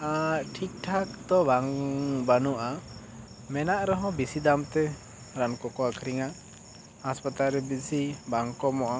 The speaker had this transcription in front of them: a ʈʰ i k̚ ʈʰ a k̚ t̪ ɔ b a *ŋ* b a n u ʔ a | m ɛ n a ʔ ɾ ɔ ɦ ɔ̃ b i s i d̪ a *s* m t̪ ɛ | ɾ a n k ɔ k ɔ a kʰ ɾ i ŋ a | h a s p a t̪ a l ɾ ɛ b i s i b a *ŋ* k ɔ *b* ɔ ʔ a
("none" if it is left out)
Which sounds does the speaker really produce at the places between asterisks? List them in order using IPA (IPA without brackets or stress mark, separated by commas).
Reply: ŋ, none, ŋ, m